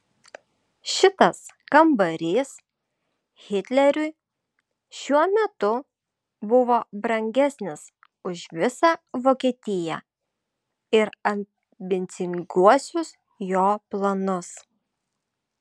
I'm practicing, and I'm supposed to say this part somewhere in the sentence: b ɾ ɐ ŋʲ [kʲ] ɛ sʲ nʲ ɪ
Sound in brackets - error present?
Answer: yes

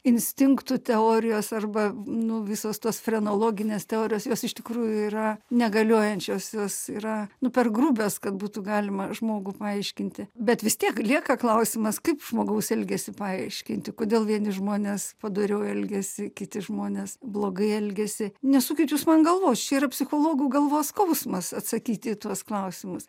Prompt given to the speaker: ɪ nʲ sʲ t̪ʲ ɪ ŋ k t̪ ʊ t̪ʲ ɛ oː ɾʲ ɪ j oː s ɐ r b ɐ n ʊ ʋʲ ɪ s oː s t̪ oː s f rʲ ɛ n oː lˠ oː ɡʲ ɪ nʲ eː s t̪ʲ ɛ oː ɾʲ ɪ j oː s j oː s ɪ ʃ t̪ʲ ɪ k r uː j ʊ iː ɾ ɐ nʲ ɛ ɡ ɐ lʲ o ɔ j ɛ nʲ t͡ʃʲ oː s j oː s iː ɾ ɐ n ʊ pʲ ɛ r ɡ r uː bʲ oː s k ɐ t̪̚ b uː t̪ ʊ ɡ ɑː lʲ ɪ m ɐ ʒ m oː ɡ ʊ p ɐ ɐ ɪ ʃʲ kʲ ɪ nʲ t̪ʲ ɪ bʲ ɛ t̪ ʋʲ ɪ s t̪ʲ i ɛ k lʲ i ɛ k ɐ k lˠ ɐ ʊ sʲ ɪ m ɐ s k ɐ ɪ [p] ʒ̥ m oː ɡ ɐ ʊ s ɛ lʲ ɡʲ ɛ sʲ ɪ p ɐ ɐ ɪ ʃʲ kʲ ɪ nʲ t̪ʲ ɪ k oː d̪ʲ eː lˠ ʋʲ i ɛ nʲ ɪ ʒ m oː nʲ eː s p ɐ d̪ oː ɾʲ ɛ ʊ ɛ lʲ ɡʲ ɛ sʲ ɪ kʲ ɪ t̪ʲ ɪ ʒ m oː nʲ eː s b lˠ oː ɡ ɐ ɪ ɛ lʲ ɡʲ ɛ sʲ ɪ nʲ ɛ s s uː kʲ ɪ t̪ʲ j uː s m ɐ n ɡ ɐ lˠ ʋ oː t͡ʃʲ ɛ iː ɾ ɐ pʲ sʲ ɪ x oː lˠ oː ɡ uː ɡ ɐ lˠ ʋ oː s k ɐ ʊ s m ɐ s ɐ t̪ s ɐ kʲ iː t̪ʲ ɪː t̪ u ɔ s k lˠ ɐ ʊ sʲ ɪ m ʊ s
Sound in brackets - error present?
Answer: no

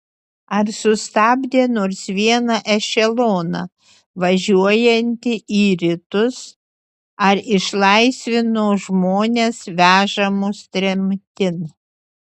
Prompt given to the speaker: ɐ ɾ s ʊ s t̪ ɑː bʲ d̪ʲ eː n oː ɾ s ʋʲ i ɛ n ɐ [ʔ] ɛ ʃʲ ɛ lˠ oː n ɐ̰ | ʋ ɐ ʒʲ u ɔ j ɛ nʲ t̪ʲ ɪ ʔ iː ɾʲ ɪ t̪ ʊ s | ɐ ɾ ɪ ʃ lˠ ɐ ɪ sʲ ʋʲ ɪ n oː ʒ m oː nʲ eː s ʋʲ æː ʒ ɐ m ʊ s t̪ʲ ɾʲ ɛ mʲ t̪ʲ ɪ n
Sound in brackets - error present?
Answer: no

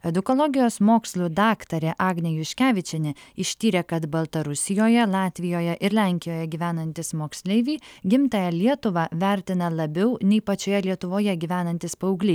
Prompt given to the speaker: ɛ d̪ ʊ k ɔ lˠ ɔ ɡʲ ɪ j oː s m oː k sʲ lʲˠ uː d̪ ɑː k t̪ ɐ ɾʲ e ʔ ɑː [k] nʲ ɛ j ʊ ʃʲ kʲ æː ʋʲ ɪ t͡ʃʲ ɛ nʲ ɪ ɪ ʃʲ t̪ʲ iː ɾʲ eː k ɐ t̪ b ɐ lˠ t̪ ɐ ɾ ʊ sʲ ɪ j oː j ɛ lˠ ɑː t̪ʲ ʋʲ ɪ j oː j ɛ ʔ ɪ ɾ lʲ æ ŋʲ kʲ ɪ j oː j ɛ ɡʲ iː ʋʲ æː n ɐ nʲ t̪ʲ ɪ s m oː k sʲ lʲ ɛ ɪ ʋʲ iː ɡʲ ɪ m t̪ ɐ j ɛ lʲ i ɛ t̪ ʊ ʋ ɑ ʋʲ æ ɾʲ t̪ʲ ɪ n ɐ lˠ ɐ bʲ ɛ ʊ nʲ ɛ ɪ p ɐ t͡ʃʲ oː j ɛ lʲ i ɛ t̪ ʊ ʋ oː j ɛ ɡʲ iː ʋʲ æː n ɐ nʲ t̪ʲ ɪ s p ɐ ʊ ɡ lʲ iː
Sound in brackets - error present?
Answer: yes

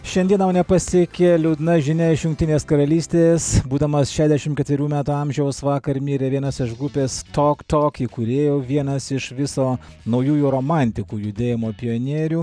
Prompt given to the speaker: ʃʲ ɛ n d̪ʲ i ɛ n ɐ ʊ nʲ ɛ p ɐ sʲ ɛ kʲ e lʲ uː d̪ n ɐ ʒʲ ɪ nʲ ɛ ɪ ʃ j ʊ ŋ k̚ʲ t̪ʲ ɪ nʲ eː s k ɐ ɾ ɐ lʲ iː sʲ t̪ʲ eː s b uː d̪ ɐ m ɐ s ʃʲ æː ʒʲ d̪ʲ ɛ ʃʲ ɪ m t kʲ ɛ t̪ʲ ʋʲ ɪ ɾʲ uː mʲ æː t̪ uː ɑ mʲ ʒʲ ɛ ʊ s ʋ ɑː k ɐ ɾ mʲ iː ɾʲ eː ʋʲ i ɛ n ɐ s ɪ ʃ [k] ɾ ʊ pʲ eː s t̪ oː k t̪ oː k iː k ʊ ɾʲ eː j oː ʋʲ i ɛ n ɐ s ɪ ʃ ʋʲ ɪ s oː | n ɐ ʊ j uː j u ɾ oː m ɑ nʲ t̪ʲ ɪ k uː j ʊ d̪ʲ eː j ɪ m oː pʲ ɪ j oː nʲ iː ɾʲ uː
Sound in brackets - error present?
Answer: yes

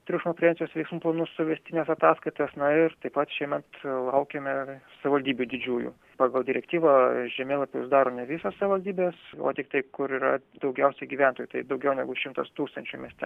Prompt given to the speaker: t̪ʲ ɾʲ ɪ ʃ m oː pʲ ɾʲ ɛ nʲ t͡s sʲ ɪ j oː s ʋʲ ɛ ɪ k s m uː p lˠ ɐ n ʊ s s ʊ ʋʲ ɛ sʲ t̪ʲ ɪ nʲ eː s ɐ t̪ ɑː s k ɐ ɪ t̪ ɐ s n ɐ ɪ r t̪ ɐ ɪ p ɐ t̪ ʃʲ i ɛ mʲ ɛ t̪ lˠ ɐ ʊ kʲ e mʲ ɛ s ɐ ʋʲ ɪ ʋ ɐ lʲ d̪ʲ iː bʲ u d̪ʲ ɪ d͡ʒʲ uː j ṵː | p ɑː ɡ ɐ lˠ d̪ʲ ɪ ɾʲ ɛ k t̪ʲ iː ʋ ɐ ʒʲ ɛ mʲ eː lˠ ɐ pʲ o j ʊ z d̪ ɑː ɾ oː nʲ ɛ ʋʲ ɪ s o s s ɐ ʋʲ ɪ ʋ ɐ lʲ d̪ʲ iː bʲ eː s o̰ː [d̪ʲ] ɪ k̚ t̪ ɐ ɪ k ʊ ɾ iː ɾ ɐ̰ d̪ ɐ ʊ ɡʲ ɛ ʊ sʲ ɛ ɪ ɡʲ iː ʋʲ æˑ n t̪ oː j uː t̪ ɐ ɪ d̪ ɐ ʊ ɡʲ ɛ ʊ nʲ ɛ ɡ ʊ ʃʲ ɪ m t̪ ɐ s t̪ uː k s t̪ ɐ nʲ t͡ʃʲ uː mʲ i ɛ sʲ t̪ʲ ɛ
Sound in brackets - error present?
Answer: yes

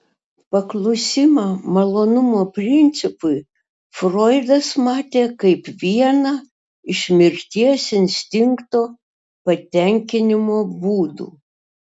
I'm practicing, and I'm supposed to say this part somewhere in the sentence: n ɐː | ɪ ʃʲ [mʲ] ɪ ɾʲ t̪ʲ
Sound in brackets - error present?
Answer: no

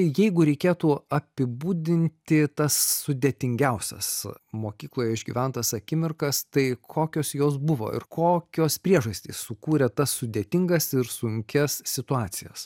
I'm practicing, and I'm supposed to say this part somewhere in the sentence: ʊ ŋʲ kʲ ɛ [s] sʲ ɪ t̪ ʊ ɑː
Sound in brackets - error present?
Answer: no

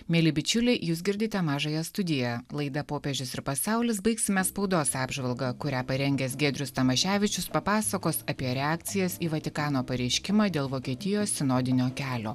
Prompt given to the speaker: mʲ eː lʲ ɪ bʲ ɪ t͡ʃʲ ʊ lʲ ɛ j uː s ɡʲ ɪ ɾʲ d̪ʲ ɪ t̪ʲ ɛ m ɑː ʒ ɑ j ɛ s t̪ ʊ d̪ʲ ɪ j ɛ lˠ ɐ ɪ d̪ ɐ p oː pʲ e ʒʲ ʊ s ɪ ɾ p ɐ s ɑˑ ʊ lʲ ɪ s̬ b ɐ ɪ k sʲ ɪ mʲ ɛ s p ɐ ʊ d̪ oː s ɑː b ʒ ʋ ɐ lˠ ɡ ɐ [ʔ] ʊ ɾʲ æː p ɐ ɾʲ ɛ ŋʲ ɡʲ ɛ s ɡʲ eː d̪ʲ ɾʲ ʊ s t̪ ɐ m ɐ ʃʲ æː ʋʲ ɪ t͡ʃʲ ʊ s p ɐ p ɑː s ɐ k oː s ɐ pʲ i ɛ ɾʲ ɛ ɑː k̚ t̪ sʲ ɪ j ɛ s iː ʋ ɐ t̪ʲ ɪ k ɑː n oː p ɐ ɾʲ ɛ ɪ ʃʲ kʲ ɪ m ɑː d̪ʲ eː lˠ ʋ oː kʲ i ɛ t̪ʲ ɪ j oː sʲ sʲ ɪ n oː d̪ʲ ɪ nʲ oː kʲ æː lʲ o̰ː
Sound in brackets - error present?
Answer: yes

